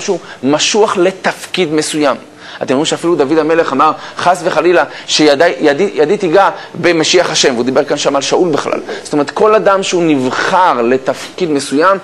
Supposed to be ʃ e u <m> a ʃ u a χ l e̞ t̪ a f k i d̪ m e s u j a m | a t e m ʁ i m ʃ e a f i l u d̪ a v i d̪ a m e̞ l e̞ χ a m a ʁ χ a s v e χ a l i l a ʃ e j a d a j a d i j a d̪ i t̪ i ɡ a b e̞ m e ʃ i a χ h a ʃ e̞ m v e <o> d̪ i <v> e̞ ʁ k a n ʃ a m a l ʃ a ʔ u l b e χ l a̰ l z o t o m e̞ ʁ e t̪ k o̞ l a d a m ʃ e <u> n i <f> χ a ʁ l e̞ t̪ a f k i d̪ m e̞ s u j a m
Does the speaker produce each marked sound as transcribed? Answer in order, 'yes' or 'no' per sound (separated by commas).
yes, no, no, yes, no